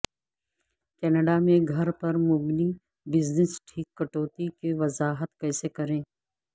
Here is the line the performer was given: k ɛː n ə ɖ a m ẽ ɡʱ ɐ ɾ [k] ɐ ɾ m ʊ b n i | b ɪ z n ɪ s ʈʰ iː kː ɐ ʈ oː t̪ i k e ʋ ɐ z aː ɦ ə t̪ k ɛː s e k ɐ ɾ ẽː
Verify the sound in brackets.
incorrect: p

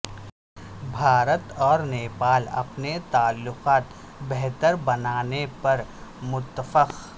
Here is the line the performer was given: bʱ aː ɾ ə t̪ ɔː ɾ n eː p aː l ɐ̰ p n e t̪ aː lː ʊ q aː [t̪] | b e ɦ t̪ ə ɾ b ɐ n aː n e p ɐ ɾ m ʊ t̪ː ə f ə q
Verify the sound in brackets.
correct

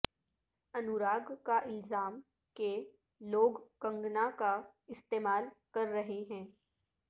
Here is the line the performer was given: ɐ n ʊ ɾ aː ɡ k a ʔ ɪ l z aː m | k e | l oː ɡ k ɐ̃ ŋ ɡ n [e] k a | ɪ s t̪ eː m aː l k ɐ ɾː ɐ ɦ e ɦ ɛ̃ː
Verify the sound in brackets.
incorrect: a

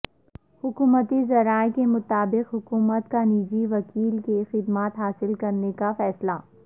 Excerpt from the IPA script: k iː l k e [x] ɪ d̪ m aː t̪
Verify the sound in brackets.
correct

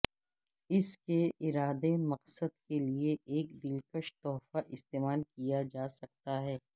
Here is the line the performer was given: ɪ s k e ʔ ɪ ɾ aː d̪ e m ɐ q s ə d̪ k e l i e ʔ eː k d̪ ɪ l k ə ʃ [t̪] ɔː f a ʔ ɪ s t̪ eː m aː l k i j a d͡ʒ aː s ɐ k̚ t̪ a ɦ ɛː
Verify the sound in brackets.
correct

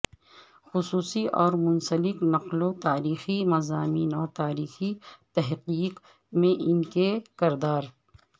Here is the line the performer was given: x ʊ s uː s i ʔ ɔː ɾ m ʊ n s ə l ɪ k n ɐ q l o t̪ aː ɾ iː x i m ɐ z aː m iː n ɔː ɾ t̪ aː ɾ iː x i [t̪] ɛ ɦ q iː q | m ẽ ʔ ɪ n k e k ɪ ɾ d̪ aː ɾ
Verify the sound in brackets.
correct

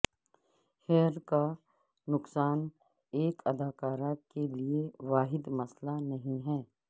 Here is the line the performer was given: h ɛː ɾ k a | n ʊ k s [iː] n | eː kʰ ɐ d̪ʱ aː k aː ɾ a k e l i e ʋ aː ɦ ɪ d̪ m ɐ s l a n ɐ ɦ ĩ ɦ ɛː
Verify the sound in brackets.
incorrect: aː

